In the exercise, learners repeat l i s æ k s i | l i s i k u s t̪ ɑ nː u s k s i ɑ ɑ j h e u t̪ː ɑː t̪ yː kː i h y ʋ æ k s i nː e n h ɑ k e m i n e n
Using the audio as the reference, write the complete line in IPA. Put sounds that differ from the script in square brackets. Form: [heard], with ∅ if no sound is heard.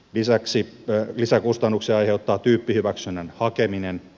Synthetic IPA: l i s æ k s i | l i s [æ] k u s t̪ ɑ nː u [∅] k s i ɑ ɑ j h e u t̪ː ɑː t̪ yː [pː] i h y ʋ æ k s [y] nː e n h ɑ k e m i n e n

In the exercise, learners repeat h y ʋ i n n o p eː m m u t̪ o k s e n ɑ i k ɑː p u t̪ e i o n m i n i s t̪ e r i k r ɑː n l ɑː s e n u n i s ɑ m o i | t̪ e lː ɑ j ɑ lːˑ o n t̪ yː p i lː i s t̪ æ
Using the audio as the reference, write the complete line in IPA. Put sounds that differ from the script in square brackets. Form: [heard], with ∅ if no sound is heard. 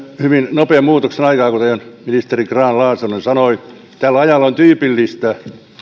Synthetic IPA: h y ʋ i n n o p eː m m [uː] t̪ o k s e n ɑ i k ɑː [k] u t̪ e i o n m i n i s t̪ e r i k r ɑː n l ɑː s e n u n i s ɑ [n] o i | t̪ [æ] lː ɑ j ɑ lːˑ o n t̪ yː p i lː i s t̪ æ

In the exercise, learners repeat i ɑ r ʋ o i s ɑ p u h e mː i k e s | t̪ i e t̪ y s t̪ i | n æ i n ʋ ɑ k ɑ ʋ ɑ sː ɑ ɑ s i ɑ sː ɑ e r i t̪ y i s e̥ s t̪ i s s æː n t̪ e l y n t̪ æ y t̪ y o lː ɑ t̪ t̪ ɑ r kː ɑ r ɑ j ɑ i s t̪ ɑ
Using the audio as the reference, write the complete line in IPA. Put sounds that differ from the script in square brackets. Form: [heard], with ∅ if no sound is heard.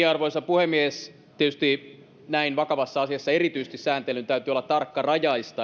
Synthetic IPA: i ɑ r ʋ o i s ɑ p u h e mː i [∅] e s | t̪ i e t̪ y s t̪ i | n æ i n ʋ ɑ k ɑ ʋ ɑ sː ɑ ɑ s i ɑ sː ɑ e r i t̪ y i s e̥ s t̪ i s s æː n t̪ e l y n t̪ æ y t̪ y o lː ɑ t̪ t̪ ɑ r kː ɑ r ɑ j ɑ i s t̪ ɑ

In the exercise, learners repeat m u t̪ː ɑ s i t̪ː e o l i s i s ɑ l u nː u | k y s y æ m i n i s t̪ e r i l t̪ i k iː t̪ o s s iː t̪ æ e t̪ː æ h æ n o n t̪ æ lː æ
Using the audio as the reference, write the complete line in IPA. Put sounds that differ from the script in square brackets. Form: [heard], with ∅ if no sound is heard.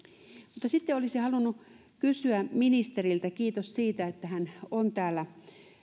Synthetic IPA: m u t̪ː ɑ s i t̪ː e o l i s i [h] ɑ l u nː u | k y s y æ m i n i s t̪ e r i l t̪ [æ] k iː t̪ o s s iː t̪ æ e t̪ː æ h æ n o n t̪ [æː] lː æ

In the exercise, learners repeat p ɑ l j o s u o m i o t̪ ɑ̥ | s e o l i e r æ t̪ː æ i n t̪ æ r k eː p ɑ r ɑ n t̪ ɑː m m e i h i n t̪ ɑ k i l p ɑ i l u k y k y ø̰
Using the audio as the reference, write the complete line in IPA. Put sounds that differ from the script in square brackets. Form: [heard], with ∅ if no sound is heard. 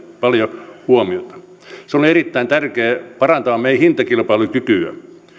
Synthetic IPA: p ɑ l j o [h] u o m i o t̪ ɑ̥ | s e o l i e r [i] t̪ː æ i n t̪ æ r k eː p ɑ r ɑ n t̪ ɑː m m e i h i n t̪ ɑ k i l p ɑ i l u k y k y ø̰

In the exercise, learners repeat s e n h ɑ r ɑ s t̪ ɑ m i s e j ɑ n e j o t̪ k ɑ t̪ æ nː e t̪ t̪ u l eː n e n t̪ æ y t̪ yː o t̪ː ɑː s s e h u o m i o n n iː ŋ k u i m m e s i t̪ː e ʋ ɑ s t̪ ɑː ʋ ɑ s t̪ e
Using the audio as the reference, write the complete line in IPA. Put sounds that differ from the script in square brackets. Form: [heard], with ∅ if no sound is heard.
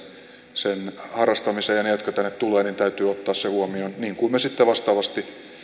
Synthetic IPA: s e n h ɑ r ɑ s t̪ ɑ m i s e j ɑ n e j o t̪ k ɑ t̪ æ nː e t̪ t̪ u l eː n [i] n t̪ æ y t̪ yː o t̪ː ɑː s s e h u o m i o n n iː ŋ k u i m m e s i t̪ː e ʋ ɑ s t̪ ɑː ʋ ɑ s t̪ [i]

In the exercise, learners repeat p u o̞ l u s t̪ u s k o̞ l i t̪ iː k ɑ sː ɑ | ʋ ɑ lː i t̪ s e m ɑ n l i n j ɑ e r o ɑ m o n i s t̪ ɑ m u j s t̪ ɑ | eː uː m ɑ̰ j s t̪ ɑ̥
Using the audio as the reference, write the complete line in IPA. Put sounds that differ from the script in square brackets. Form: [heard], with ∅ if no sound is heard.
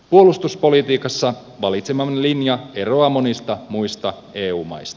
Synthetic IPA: p u o̞ l u s t̪ u s [p] o̞ l i t̪ iː k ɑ sː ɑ | ʋ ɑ [l] i t̪ s e m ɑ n l i n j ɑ e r o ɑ m o n i s t̪ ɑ m u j s t̪ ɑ | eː uː m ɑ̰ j s t̪ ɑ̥

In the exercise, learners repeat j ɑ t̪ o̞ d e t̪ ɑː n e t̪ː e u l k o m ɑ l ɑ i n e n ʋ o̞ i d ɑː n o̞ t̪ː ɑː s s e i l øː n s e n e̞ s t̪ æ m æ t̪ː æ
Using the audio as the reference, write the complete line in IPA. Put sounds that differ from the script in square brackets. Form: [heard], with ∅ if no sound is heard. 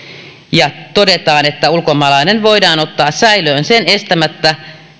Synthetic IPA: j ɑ t̪ o̞ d e t̪ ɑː n e t̪ː [æ] u l k o m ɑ l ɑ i n e n ʋ o̞ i d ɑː n o̞ t̪ː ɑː s s [æ] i l øː n s e n e̞ s t̪ æ m æ t̪ː æ

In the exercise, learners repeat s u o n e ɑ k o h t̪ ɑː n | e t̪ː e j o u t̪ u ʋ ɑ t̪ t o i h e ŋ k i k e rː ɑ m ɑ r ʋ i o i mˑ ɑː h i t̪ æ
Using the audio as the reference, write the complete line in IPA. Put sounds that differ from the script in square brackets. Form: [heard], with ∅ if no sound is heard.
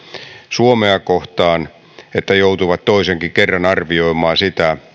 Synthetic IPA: s u o [m] e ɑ k o h t̪ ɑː n | e t̪ː [æ] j o u t̪ u ʋ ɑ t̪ t o i [s] e ŋ k i k e rː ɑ [n] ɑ r ʋ i o i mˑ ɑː [s] i t̪ æ

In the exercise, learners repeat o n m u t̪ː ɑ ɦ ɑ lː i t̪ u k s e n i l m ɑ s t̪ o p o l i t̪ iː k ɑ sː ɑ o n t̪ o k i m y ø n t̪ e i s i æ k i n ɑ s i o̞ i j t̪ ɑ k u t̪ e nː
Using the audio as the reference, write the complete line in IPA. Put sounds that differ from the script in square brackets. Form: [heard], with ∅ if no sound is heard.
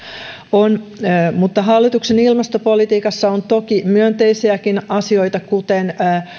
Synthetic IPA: o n m u t̪ː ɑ ɦ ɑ lː i t̪ u k s e n i l m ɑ s t̪ o p o l i t̪ iː k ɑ sː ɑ o n t̪ o k i m y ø n t̪ e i s i æ k i n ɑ s i o̞ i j t̪ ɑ k u t̪ e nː

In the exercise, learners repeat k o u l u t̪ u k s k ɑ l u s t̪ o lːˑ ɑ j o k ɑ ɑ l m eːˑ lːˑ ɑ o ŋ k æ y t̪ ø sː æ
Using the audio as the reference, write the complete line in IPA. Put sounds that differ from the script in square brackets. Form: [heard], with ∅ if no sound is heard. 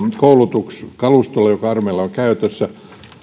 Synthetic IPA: k o u l u t̪ u k s k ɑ l u s t̪ o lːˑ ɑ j o k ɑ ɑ [r] m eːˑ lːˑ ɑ o ŋ k æ y t̪ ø sː æ

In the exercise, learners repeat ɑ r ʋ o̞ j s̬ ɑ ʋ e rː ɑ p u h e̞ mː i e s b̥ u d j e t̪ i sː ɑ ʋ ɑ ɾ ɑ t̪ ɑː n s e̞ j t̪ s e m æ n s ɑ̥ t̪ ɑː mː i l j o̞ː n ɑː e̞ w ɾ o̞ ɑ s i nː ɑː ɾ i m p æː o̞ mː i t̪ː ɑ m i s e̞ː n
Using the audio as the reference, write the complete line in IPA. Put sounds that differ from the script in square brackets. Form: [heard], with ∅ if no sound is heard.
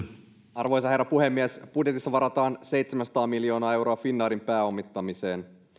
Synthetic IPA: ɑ r ʋ o̞ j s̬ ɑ [∅] e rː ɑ p u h e̞ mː i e s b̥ u d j e t̪ i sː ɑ ʋ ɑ ɾ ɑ t̪ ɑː n s e̞ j t̪ s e m æ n s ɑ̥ t̪ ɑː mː i l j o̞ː n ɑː e̞ w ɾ o̞ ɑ [f] i nː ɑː ɾ i m p æː o̞ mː i t̪ː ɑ m i s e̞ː n

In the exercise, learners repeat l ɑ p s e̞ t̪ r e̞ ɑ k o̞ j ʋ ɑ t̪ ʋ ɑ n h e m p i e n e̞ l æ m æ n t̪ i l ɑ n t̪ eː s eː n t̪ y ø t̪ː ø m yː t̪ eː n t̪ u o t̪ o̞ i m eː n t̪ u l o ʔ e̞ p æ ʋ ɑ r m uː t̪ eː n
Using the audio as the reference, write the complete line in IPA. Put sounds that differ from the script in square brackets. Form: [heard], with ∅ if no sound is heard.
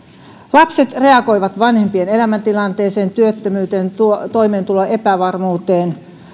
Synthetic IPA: l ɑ p s e̞ t̪ r e̞ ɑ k o̞ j ʋ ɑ t̪ ʋ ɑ n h e m p i e n e̞ l æ m æ n t̪ i l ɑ n t̪ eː s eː n t̪ y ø t̪ː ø m yː t̪ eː n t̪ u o t̪ o̞ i m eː n t̪ u l o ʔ e̞ p æ ʋ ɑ r m uː t̪ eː n

